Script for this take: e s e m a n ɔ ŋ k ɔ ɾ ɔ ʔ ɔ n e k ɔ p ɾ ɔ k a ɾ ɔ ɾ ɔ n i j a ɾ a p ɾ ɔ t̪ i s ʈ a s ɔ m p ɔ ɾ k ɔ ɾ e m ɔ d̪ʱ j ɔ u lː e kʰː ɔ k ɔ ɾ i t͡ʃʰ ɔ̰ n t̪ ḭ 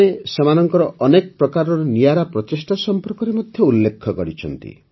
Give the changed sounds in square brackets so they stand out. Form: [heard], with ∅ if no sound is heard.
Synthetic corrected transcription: e s e m a n ɔ ŋ k ɔ ɾ ɔ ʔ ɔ n e k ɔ p ɾ ɔ k a ɾ ɔ ɾ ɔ n i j a ɾ a p ɾ ɔ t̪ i s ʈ a s ɔ m p ɔ ɾ k ɔ ɾ e m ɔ d̪ʱ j ɔ u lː e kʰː ɔ k ɔ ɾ i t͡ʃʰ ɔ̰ n t̪ ḭ